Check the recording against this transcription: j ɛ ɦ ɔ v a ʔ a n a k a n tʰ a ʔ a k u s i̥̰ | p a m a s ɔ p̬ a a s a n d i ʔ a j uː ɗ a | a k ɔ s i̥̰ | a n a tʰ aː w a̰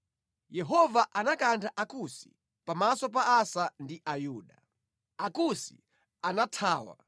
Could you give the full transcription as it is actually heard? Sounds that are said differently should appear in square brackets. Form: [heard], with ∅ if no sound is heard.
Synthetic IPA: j ɛ ɦ ɔ v a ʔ a n a k a n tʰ a ʔ a k u s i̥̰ | p a m a s ɔ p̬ a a s a n d i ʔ a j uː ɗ a | a k [u] s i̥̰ | a n a tʰ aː w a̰